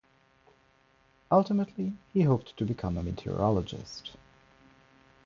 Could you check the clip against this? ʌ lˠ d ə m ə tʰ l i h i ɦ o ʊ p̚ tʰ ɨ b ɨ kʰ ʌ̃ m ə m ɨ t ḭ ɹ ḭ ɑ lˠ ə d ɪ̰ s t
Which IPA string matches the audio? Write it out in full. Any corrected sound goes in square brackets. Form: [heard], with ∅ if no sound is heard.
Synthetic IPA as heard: ʌ lˠ [t] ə m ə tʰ l i h i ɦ o ʊ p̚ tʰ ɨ b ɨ kʰ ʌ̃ m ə m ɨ [tʰ] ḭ ɹ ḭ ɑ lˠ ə [d͡ʒ] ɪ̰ s t